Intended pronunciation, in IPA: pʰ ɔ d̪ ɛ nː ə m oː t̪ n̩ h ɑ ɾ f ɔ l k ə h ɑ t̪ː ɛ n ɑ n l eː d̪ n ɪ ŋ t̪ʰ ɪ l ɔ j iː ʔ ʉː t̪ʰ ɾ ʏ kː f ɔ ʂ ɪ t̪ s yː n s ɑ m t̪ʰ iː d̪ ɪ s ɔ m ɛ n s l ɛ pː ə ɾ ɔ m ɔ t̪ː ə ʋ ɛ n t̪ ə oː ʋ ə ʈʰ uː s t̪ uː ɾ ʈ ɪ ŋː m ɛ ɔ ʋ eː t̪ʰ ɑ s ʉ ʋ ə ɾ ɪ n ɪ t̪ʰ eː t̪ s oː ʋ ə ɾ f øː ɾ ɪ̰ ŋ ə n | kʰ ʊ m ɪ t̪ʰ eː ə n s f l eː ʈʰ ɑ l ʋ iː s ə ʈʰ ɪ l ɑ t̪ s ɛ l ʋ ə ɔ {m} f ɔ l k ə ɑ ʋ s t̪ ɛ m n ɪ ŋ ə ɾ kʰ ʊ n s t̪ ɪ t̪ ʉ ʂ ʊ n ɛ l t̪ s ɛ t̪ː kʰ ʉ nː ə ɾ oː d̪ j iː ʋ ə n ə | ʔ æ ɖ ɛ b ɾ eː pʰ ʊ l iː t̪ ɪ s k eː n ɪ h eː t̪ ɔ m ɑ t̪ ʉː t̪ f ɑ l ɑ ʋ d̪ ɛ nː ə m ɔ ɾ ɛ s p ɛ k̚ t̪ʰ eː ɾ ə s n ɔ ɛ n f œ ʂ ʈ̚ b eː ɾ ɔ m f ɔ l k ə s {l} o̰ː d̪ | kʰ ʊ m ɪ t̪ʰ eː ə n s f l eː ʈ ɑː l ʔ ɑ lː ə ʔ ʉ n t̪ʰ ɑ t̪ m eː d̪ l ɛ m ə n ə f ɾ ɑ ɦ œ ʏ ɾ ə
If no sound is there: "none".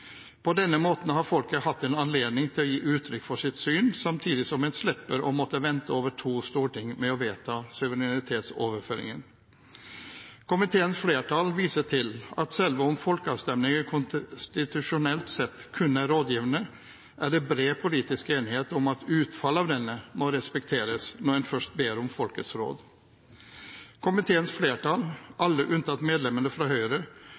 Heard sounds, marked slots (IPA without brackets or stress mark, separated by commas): m, ɾ